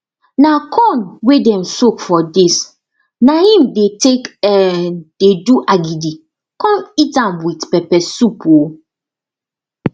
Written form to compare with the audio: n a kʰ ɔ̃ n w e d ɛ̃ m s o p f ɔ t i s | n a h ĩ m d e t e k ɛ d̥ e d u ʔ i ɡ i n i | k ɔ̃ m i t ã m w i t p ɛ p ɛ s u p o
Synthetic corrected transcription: n a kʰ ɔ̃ n w e d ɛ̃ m s o k f ɔ d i s | n a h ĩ m d e t e k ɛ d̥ e d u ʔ a ɡ i d i | k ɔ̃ m i t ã m w i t p ɛ p ɛ s u p o